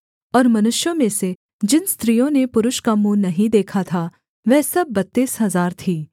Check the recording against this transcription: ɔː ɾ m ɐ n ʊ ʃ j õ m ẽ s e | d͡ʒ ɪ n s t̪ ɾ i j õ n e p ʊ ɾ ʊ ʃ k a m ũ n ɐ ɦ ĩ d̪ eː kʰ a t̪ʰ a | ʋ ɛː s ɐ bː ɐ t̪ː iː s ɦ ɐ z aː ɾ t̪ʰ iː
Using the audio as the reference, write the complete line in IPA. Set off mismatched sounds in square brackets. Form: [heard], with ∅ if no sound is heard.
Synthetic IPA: ɔː ɾ m ɐ n ʊ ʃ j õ m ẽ s e | d͡ʒ ɪ n s t̪ ɾ i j õ n e p ʊ ɾ ʊ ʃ k a m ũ n ɐ ɦ ĩ d̪ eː kʰ a t̪ʰ a | ʋ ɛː s ɐ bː ɐ t̪ː iː s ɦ ɐ z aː ɾ t̪ʰ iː

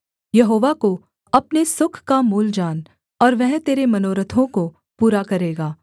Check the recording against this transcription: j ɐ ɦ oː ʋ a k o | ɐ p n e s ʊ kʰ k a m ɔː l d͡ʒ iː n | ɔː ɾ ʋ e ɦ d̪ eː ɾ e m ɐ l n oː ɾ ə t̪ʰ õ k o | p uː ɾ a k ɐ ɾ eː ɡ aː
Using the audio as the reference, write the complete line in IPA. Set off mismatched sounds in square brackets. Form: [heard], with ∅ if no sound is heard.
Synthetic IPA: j ɐ ɦ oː ʋ a k o | ɐ p n e s ʊ kʰ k a m [uː] l d͡ʒ [aː] n | ɔː ɾ ʋ [ɛ] ɦ [t̪] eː ɾ e m ɐ [∅] n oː ɾ ə t̪ʰ õ k o | p uː ɾ a k ɐ ɾ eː ɡ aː

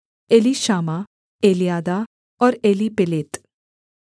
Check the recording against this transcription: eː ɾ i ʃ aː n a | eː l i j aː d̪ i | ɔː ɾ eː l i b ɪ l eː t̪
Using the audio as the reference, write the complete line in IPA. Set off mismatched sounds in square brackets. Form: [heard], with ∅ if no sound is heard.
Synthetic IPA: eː [l] i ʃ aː [m] a | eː l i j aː d̪ [a] | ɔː ɾ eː l i [p] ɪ l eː t̪

